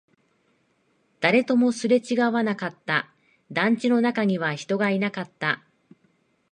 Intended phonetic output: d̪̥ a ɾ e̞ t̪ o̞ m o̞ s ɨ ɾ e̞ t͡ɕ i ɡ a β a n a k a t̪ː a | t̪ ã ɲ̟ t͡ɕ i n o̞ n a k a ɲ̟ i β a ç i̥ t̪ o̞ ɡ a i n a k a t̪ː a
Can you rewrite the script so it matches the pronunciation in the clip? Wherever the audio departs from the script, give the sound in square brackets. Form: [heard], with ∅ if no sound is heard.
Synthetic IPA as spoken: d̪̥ a ɾ e̞ t̪ o̞ m o̞ s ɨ ɾ e̞ t͡ɕ i ɡ a β a n a k a t̪ː a | [d̪] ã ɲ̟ t͡ɕ i n o̞ n a k a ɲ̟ i β a ç i̥ t̪ o̞ ɡ a i n a k a t̪ː a